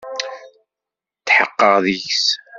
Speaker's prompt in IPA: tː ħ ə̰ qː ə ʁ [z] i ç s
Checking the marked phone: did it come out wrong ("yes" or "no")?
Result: yes